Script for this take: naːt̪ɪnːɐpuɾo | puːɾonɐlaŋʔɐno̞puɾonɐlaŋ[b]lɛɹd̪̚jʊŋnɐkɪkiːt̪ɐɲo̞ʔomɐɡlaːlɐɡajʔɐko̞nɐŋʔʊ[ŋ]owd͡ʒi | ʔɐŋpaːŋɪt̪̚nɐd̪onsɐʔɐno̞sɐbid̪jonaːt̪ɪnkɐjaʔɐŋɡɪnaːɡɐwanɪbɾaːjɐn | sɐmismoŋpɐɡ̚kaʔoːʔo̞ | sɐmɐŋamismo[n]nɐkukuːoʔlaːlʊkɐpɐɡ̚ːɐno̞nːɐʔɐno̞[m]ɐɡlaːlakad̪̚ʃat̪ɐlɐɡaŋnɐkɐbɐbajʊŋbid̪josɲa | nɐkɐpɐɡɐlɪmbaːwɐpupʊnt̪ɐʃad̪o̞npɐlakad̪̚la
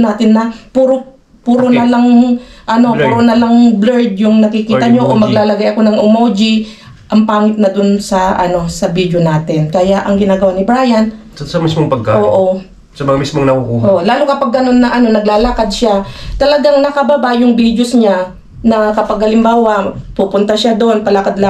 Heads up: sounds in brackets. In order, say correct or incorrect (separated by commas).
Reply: correct, incorrect, incorrect, incorrect